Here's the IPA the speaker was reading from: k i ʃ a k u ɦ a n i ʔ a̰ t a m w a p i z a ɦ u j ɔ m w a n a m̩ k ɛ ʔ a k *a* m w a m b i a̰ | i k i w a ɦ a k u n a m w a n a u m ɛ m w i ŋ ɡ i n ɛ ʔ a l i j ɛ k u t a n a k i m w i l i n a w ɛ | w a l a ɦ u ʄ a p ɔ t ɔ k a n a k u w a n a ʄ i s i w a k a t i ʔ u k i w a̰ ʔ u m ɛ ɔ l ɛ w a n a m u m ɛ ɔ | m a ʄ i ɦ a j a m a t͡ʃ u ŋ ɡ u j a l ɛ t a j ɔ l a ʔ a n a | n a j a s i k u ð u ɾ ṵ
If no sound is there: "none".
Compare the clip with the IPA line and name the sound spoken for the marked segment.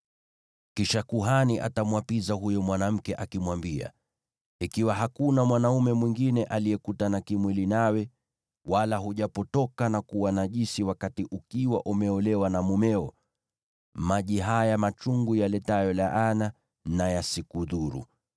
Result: i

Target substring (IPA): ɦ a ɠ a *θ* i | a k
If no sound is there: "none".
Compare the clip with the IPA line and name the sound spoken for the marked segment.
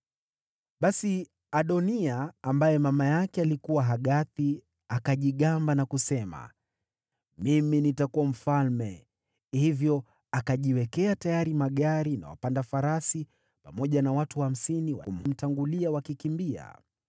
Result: θ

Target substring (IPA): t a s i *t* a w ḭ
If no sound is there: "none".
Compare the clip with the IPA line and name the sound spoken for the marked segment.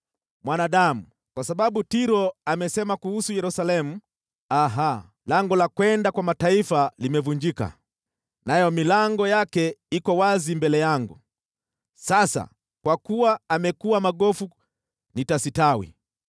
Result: t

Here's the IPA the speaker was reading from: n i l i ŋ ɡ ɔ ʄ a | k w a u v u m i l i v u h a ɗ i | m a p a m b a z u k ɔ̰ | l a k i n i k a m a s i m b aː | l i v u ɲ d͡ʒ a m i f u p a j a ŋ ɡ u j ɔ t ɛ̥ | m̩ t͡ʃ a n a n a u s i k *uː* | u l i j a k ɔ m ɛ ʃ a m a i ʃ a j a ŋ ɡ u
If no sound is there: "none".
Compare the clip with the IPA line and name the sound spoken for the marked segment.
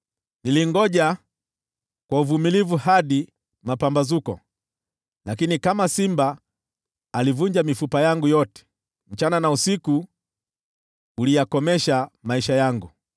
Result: u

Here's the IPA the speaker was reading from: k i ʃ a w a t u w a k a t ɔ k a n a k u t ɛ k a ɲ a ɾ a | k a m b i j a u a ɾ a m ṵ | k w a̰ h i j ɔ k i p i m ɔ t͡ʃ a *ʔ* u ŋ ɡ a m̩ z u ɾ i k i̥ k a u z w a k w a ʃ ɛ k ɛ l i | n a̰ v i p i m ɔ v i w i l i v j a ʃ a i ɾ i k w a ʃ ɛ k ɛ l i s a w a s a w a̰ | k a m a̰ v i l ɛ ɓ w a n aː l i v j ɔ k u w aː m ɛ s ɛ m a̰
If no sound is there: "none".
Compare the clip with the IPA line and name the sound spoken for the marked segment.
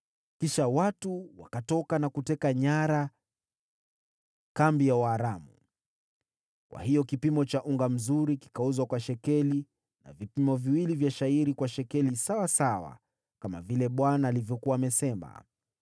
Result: ʔ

